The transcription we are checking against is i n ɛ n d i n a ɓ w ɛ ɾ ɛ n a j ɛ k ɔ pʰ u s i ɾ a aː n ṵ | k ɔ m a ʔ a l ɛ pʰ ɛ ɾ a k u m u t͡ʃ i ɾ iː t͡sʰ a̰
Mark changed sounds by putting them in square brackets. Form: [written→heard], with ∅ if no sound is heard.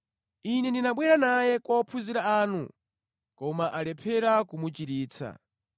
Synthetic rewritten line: i n ɛ n d i n a ɓ w ɛ ɾ [ɛ→a] n a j ɛ k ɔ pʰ u [s→z] i ɾ a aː n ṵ | k ɔ m a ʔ a l ɛ pʰ ɛ ɾ a k u m u t͡ʃ i ɾ iː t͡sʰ a̰